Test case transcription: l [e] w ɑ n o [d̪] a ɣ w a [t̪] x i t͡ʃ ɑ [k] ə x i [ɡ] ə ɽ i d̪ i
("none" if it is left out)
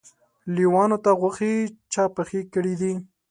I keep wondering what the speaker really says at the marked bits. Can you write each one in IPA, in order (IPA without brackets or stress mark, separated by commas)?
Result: i, t̪, none, p, k